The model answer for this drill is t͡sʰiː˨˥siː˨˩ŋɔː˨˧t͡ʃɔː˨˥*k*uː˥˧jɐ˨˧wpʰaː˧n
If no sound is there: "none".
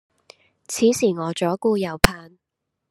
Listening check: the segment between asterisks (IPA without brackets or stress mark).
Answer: k